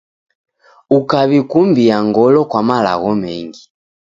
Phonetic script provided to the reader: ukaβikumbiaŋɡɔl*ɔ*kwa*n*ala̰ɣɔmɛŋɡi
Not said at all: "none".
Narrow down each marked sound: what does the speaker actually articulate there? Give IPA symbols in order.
ɔ, m

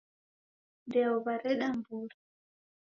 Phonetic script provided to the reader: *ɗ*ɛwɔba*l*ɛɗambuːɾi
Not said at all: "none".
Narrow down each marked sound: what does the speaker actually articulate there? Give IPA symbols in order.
d, ɾ

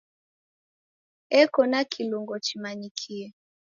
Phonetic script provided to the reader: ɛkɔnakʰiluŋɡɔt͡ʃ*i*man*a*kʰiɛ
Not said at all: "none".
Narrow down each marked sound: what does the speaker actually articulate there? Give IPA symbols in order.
i, i

